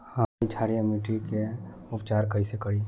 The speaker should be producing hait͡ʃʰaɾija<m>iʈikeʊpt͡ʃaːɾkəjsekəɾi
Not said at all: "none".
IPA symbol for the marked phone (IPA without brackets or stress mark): m